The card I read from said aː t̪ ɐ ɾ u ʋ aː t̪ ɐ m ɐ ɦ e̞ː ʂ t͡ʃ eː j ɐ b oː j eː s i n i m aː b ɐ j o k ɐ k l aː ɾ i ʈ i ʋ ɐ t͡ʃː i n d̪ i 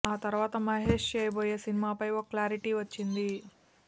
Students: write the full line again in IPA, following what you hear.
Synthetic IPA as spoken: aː t̪ ɐ ɾ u ʋ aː t̪ ɐ m ɐ ɦ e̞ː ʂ t͡ʃ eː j ɐ b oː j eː s i n i m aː p ɐ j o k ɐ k l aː ɾ i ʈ i ʋ ɐ t͡ʃː i n d̪ i